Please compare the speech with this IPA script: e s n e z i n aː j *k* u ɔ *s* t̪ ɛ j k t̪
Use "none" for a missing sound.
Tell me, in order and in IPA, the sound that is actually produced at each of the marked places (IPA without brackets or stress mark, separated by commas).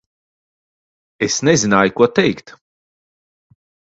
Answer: k, none